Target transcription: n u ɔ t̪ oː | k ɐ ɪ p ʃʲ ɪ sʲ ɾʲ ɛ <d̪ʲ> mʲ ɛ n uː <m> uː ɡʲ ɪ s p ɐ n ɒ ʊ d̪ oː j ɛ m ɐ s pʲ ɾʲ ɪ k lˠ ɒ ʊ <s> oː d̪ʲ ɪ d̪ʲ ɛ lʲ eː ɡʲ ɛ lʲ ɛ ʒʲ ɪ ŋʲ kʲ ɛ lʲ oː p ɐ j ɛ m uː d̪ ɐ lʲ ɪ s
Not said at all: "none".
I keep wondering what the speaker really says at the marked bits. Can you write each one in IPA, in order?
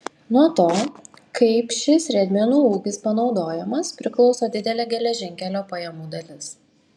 d̪ʲ, none, s

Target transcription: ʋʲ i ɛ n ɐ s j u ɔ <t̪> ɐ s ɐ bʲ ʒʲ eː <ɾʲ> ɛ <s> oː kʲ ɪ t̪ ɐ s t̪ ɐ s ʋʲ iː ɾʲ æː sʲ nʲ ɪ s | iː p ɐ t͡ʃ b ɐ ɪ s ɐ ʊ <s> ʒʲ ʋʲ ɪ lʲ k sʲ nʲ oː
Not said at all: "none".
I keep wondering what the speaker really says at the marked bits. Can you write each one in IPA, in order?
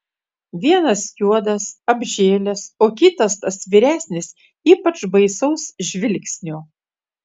d̪, lʲ, s, s

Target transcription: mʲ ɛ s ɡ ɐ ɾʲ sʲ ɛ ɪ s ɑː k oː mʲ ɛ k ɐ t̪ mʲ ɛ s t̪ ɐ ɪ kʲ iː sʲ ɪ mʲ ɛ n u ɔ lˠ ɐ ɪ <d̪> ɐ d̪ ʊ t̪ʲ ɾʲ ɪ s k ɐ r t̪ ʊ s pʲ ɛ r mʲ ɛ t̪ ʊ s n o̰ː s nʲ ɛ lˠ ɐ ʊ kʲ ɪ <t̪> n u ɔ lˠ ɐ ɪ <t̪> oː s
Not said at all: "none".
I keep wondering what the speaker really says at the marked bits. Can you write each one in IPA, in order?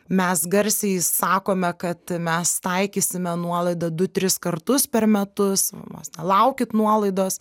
d̪, t̪, d̪

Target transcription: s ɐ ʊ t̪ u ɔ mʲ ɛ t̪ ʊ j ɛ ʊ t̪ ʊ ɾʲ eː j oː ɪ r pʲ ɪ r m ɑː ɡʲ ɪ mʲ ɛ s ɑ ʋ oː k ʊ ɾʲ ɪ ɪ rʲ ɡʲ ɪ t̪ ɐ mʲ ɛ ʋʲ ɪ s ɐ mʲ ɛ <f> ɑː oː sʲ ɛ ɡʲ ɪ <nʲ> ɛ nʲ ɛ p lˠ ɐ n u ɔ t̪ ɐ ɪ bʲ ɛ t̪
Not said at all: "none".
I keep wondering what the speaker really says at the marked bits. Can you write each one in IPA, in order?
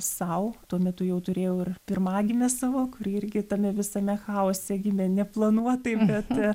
x, mʲ

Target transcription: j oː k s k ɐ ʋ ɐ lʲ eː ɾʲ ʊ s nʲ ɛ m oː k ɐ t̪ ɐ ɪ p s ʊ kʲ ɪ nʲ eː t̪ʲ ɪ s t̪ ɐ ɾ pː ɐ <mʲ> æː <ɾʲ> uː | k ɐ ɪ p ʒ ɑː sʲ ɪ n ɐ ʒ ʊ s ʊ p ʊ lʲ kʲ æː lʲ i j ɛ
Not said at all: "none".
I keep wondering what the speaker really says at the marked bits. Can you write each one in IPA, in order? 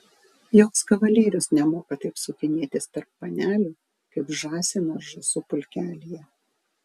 nʲ, lʲ

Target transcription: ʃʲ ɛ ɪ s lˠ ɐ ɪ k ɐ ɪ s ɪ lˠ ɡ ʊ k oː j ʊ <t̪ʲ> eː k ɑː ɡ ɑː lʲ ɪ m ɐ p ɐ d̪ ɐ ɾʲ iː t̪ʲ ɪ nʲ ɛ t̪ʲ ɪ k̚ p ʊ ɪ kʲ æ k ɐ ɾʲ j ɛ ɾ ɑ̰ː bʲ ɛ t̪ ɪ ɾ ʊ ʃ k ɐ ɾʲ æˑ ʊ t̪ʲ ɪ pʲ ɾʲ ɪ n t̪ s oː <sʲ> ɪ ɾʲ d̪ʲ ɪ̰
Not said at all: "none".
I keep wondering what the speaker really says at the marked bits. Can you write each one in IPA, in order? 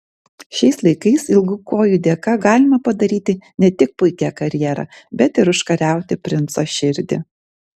d̪ʲ, ʃʲ

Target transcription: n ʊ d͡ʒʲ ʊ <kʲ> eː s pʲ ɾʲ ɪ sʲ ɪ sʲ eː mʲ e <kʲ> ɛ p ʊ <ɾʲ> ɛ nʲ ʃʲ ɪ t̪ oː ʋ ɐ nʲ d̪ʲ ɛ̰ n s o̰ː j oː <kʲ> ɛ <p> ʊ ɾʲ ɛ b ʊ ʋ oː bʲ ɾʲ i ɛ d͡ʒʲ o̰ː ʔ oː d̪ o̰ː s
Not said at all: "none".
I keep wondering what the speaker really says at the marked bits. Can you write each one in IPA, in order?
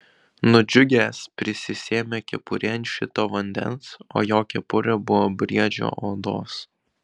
ɡʲ, kʲ, ɾʲ, kʲ, p

